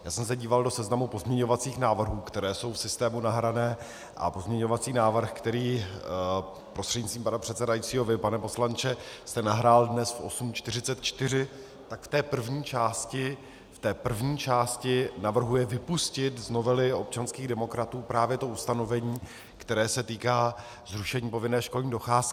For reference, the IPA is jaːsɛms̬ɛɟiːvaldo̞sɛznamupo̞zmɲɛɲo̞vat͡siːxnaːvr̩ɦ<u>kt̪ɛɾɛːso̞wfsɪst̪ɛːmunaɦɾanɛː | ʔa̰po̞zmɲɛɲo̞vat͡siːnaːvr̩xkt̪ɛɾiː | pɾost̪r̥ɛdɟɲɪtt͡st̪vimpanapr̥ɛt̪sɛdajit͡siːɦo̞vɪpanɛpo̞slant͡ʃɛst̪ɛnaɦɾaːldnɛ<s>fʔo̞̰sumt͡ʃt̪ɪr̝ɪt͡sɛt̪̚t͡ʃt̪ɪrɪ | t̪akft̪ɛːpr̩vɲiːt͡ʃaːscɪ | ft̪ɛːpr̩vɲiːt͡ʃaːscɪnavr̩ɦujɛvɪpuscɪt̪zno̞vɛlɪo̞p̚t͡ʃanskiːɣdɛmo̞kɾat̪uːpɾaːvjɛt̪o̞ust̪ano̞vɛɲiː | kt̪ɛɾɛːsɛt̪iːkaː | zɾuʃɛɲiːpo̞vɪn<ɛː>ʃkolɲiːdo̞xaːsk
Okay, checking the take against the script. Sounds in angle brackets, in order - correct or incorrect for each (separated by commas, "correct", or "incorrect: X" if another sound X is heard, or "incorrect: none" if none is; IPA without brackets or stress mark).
incorrect: uː, correct, correct